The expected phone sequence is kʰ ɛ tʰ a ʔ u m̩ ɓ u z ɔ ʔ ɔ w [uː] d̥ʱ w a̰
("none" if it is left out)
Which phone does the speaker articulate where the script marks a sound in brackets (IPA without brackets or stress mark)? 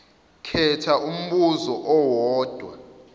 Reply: ɔː